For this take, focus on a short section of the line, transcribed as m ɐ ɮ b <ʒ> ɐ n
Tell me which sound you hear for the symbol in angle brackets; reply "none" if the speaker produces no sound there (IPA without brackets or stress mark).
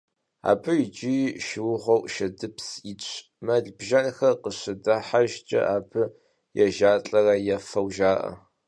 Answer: ʒ